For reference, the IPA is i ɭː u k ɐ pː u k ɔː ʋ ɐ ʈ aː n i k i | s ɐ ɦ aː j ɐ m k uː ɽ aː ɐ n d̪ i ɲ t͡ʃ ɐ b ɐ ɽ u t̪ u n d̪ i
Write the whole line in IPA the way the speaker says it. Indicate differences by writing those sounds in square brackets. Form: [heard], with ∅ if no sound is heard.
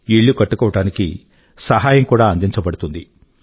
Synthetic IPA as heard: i ɭː u k ɐ [ʈː] u k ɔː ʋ ɐ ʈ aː n i k i | s ɐ ɦ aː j ɐ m k uː ɽ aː ɐ n d̪ i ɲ t͡ʃ ɐ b ɐ ɽ u t̪ u n d̪ i